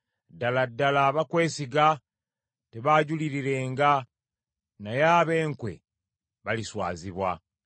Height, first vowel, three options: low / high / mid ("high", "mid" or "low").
low